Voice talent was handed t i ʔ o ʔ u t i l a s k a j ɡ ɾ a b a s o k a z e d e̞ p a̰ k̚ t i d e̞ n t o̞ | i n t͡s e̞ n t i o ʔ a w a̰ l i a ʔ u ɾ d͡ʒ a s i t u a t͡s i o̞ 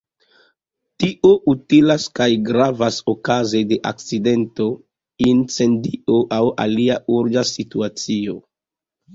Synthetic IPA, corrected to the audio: t i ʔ o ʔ u t i l a s k a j ɡ ɾ a v a s o k a z e d e̞ ʔ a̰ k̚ t͡s i d e̞ n t o̞ | i n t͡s e̞ n d i o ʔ a w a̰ l i a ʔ u ɾ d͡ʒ a s i t u a t͡s i o̞